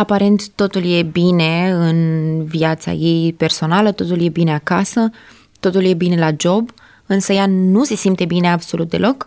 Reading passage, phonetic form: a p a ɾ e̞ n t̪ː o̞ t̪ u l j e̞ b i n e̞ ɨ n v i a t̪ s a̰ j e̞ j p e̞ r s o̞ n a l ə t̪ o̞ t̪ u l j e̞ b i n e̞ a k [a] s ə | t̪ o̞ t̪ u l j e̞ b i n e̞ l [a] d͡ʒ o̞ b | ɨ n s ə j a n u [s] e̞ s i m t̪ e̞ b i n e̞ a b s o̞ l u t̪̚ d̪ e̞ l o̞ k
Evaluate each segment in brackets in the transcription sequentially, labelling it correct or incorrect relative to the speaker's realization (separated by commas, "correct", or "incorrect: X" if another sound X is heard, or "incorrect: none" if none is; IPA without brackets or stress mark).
correct, correct, correct